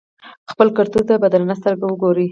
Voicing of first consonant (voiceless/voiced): voiceless